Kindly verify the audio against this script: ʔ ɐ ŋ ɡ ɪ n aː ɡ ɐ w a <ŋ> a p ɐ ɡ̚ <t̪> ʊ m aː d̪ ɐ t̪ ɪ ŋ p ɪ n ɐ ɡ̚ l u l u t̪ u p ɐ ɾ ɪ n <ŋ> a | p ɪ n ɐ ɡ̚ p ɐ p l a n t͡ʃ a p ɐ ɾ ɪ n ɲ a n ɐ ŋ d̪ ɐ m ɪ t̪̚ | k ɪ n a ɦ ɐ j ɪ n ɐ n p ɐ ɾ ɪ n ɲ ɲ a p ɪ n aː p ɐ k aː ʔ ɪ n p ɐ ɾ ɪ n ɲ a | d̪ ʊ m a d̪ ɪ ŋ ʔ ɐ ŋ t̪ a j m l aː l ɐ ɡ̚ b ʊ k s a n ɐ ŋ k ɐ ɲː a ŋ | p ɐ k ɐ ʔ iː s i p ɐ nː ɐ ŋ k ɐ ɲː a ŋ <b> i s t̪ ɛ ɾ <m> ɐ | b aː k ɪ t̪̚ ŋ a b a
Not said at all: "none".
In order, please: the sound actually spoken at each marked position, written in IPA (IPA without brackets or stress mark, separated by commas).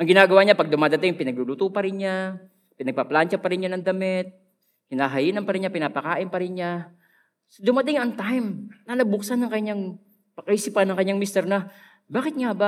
ɲ, d̪, ɲ, m, n